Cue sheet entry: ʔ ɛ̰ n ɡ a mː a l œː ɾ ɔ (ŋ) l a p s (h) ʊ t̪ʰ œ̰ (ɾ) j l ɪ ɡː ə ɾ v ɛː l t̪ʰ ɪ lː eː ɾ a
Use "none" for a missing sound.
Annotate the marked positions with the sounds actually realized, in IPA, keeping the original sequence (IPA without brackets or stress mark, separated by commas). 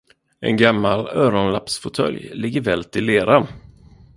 n, f, l